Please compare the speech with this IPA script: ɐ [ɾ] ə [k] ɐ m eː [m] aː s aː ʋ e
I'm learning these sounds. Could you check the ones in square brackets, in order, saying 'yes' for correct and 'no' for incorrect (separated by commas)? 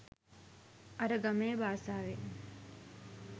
yes, no, no